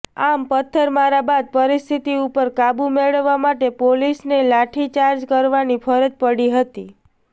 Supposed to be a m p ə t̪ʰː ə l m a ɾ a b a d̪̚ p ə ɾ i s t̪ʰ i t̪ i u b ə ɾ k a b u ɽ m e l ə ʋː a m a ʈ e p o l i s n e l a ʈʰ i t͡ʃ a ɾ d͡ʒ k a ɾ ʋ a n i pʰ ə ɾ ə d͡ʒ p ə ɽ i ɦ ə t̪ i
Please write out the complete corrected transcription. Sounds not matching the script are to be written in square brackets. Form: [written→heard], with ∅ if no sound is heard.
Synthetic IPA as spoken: a m p ə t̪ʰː ə [l→ɾ] m a ɾ a b a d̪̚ p ə ɾ i s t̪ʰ i t̪ i u [b→p] ə ɾ k a b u [ɽ→∅] m e [l→ɭ] ə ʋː a m a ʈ e p o l i s n e l a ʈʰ i t͡ʃ a ɾ d͡ʒ k [a→ə] ɾ ʋ a n i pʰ ə ɾ ə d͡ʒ p ə ɽ i ɦ ə t̪ i